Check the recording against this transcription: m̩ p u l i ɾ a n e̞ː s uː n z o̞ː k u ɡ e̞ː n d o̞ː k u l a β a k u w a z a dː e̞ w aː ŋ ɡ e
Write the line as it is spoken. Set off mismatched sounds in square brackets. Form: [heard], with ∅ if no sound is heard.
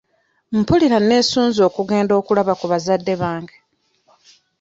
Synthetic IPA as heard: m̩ p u l i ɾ a n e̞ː s uː n z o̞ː k u ɡ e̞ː n d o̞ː k u l a β a k u [β] a z a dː e̞ [β] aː ŋ ɡ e